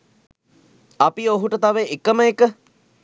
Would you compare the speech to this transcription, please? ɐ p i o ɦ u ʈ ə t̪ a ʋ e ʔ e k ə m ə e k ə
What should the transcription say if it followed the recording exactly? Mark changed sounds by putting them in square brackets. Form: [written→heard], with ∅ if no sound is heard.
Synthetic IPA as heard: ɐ p i o ɦ u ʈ ə t̪ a ʋ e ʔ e k ə m ə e k ə